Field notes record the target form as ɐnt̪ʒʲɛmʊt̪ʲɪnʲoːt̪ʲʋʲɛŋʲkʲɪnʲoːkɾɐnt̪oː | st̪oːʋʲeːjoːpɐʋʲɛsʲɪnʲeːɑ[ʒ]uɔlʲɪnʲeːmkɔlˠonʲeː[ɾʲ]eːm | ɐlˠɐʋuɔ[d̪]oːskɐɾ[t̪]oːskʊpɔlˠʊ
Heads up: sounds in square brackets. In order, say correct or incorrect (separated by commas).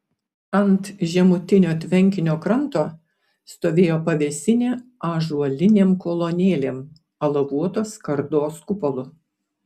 correct, incorrect, incorrect, incorrect